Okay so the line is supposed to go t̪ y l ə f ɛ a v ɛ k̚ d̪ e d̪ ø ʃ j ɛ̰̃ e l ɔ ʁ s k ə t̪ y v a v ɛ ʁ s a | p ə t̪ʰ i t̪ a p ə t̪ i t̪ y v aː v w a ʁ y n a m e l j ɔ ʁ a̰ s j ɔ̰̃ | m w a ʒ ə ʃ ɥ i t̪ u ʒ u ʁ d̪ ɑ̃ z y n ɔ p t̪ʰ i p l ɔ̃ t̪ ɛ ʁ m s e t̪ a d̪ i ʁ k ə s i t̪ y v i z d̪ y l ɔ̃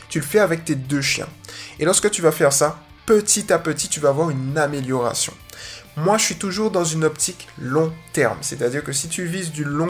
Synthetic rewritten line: t̪ y l ə f ɛ a v ɛ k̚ t̪ e d̪ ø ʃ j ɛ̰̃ e l ɔ ʁ s k ə t̪ y v a f ɛ ʁ s a | p ə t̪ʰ i t̪ a p ə t̪ i t̪ y v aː v w a ʁ y n a m e l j ɔ ʁ a̰ s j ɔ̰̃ | m w a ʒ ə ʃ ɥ i t̪ u ʒ u ʁ d̪ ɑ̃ z y n ɔ p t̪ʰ i k l ɔ̃ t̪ ɛ ʁ m s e t̪ a d̪ i ʁ k ə s i t̪ y v i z d̪ y l ɔ̃